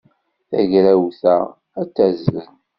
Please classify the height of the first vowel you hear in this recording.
low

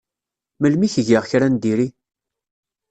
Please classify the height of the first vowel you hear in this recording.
mid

